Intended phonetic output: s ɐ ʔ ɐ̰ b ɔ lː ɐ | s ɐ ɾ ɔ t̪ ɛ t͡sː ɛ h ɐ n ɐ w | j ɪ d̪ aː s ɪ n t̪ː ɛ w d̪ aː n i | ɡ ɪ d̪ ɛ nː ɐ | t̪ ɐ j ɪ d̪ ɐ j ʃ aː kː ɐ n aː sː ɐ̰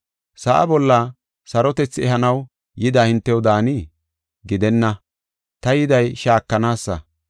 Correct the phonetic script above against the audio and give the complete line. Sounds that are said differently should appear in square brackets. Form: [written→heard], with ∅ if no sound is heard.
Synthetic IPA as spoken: s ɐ ʔ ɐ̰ b ɔ lː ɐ | s ɐ ɾ ɔ t̪ ɛ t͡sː ɛ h ɐ n ɐ w | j ɪ d̪ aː [s→h] ɪ n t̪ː ɛ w d̪ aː n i | ɡ ɪ d̪ ɛ nː ɐ | t̪ ɐ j ɪ d̪ ɐ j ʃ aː kː ɐ n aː sː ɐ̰